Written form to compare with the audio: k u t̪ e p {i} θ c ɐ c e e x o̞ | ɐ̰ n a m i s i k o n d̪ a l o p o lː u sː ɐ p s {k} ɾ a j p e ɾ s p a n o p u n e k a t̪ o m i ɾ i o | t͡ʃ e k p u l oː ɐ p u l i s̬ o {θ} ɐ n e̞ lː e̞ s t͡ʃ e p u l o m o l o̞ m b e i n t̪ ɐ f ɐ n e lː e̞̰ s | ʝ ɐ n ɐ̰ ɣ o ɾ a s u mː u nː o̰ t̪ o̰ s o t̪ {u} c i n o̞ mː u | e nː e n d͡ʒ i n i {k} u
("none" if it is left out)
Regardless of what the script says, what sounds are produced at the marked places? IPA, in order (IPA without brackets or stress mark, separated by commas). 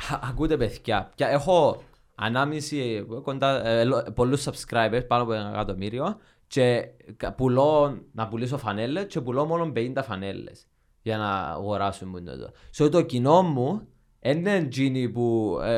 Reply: e, k, f, o, p